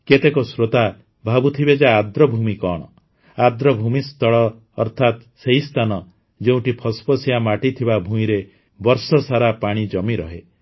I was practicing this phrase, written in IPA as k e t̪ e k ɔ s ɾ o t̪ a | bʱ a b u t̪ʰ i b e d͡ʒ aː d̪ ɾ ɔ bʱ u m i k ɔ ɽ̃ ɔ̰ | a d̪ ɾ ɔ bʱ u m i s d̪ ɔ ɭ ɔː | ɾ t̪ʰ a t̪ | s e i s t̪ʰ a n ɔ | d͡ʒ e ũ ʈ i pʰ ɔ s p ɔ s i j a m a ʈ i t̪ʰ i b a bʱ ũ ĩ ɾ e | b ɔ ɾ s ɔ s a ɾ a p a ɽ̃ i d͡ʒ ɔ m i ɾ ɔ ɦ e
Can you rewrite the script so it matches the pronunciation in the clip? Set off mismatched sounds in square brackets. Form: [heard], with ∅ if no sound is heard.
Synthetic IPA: k e t̪ e k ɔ s ɾ o t̪ a | bʱ a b u t̪ʰ i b e d͡ʒ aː d̪ ɾ ɔ bʱ u m i k ɔ ɽ̃ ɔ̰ | a d̪ ɾ ɔ bʱ u m i s [t̪] ɔ ɭ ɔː | ɾ t̪ʰ a t̪ | s e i s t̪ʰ a n ɔ | d͡ʒ e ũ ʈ i pʰ ɔ s p ɔ s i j a m a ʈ i t̪ʰ i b a bʱ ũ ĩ ɾ e | b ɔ ɾ s ɔ s a ɾ a p a ɽ̃ i d͡ʒ ɔ m i ɾ ɔ ɦ e